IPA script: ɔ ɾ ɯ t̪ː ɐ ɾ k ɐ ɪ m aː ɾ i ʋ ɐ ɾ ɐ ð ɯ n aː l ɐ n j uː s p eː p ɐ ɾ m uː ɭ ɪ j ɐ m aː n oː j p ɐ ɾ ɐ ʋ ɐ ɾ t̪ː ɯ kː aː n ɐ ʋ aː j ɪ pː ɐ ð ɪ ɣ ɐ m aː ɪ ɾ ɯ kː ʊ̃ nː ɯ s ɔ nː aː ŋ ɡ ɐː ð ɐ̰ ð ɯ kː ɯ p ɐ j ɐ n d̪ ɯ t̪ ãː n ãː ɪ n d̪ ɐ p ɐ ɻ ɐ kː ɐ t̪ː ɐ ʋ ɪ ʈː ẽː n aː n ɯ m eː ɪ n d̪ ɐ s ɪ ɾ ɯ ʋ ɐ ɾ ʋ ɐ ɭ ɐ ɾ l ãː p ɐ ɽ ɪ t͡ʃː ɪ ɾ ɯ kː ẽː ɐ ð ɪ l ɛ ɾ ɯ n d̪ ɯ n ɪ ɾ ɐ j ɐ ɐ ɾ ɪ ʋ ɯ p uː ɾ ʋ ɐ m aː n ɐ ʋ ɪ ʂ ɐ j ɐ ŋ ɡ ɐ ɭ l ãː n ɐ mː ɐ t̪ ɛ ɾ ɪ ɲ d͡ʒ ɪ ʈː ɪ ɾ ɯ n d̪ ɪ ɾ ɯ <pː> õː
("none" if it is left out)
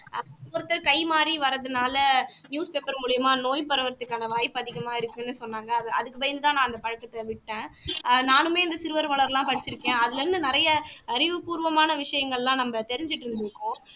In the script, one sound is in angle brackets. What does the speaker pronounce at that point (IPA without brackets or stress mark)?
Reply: kː